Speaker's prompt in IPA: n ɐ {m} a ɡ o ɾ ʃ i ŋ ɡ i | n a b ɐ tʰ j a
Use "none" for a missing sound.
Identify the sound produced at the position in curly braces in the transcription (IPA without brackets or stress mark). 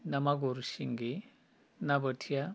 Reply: m